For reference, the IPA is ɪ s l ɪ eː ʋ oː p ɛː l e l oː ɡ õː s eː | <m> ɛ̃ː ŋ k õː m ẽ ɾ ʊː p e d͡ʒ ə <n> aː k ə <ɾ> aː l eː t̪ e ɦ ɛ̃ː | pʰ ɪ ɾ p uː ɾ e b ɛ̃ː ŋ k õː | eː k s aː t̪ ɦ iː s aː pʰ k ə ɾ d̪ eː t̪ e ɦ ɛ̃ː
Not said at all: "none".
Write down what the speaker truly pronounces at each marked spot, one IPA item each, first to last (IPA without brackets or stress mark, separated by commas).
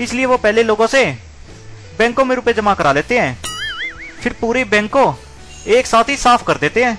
b, m, ɾ